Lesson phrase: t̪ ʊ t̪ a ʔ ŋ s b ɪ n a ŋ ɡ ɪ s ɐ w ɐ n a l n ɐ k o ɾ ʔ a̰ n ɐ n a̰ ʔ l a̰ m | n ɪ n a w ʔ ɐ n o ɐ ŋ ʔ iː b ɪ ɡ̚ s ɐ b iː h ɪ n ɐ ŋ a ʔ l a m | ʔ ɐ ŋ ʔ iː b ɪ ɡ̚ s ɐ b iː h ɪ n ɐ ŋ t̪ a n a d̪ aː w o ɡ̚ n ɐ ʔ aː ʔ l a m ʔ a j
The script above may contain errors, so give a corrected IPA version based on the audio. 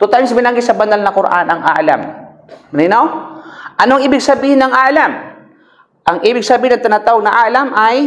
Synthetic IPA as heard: t̪ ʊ t̪ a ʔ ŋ s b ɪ n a ŋ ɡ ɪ s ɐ b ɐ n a l n ɐ k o ɾ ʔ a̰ n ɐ ŋ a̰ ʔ l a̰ m | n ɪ n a w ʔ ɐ n o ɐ ŋ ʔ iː b ɪ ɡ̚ s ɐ b iː h ɪ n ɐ ŋ a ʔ l a m | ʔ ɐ ŋ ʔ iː b ɪ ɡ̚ s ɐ b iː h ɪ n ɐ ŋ t̪ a n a t̪ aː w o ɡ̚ n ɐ ʔ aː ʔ l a m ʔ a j